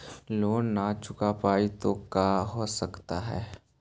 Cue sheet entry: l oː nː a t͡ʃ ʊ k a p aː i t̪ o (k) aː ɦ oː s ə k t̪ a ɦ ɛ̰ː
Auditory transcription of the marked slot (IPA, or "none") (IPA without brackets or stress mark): k